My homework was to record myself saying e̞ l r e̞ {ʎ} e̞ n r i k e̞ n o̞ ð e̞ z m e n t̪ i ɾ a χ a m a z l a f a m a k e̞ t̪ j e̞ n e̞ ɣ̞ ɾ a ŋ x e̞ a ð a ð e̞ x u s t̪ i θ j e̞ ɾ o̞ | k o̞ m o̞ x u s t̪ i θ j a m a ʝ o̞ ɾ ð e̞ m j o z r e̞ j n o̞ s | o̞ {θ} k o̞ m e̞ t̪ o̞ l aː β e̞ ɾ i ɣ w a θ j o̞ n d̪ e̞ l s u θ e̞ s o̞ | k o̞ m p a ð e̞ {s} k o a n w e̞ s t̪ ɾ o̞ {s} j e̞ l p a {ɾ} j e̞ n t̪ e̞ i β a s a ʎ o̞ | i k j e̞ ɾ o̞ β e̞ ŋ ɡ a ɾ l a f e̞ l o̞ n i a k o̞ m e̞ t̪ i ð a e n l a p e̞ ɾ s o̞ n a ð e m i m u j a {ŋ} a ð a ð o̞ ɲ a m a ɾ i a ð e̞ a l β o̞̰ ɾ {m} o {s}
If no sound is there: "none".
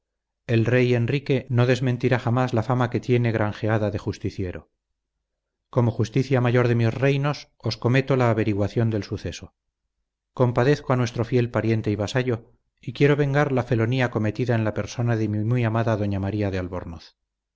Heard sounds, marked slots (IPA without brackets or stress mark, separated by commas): j, s, θ, f, ɾ, m, n, θ